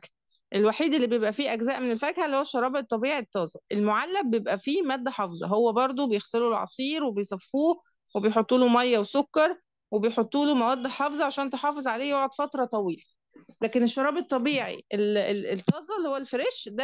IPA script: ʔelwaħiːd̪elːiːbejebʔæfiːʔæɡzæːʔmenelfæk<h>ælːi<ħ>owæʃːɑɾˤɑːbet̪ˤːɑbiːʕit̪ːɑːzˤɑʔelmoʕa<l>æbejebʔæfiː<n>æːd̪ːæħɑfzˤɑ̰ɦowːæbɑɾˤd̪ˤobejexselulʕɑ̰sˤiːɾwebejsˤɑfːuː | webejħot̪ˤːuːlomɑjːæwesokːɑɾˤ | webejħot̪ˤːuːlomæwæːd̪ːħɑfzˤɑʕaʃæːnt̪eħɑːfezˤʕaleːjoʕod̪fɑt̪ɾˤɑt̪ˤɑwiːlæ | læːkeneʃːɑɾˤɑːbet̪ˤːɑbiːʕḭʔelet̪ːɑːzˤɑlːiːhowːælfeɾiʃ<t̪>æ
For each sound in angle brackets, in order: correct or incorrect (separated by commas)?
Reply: correct, incorrect, incorrect, incorrect, incorrect